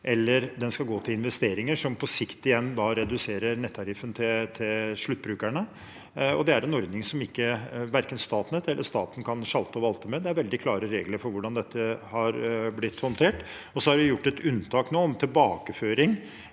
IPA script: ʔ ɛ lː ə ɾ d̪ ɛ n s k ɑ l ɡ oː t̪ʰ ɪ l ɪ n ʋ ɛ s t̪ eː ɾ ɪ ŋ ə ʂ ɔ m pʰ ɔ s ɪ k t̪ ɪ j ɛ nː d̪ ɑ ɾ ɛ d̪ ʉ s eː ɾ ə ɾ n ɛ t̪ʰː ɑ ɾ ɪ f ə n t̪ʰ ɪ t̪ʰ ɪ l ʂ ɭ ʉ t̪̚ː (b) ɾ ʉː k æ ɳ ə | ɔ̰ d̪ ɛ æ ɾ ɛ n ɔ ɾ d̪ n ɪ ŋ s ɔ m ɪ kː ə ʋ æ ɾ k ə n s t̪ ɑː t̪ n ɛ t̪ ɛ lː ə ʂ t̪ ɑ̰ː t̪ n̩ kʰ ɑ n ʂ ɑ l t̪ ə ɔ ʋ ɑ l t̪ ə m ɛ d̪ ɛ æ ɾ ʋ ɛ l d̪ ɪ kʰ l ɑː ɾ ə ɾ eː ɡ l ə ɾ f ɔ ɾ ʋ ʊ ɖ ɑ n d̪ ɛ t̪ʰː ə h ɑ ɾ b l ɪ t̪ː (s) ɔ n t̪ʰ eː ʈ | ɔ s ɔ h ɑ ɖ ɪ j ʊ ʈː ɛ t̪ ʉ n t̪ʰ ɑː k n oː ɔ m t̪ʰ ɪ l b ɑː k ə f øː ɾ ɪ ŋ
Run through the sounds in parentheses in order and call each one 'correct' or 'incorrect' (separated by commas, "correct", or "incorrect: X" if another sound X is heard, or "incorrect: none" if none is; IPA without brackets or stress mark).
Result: correct, incorrect: h